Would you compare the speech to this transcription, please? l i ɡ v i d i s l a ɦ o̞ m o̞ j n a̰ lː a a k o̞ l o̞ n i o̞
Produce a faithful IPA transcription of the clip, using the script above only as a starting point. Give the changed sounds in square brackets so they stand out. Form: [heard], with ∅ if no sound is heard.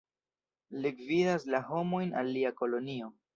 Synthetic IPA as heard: l i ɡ v i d [a] s l a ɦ o̞ m o̞ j n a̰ lː [i] a k o̞ l o̞ n i o̞